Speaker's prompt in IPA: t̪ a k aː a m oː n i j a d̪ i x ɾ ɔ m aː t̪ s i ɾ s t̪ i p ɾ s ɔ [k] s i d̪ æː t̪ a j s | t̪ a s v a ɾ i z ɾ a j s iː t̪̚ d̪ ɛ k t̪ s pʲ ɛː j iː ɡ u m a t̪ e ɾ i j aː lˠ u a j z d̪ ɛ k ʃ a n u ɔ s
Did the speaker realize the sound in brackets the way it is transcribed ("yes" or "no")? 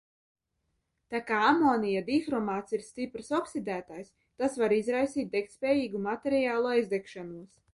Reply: yes